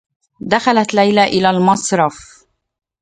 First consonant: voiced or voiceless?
voiced